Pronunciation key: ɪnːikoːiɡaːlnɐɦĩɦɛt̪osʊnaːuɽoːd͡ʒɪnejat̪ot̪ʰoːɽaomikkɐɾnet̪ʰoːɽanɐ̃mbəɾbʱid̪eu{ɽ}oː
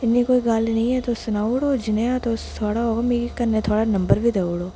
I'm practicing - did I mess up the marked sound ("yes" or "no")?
no